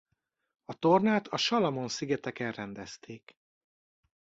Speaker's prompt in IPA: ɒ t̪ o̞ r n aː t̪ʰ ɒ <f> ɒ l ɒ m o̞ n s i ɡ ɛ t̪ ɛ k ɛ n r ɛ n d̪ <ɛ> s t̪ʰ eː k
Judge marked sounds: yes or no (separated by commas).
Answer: no, yes